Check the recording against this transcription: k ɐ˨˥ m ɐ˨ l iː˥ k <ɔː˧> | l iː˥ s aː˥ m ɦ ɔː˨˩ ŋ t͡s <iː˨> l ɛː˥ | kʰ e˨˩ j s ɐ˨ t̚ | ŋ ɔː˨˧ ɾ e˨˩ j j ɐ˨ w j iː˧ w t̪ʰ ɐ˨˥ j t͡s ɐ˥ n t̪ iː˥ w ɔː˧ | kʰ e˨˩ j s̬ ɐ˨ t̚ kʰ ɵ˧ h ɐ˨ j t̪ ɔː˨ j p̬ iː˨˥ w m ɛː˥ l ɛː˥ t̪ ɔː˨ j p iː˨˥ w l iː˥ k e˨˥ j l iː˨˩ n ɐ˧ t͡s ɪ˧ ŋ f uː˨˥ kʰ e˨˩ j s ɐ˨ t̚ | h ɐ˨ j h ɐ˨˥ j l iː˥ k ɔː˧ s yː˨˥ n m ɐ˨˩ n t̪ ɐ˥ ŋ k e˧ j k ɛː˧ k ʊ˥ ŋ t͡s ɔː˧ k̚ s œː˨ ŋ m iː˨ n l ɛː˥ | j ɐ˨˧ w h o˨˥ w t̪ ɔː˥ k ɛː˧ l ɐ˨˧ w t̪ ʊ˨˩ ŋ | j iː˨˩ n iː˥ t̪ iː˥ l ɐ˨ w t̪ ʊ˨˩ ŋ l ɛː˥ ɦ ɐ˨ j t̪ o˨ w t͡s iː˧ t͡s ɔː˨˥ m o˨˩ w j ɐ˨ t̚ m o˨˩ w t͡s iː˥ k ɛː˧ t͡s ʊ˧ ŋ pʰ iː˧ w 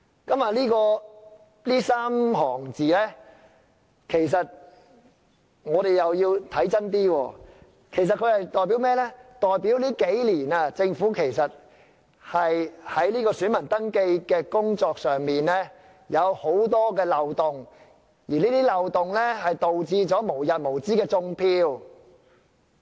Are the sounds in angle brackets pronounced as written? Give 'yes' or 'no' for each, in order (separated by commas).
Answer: yes, yes